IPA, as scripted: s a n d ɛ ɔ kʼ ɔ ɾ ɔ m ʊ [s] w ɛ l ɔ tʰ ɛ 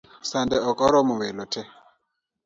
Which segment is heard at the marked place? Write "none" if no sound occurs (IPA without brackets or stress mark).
none